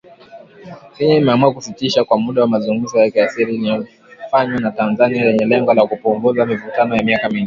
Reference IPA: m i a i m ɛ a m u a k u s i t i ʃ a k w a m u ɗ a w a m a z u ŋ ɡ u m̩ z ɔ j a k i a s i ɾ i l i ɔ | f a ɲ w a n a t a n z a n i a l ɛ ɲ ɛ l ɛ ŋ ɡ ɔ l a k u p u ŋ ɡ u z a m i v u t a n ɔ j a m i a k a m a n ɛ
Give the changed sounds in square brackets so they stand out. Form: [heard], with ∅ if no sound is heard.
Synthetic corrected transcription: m i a i m ɛ a m u a k u s i t i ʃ a k w a m u ɗ a w a m a z u ŋ ɡ u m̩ z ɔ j a k i a s i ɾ i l i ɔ | f a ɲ w a n a t a n z a n i a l ɛ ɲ ɛ l ɛ ŋ ɡ ɔ l a k u p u ŋ ɡ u z a m i v u t a n ɔ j a m i a k a m [i] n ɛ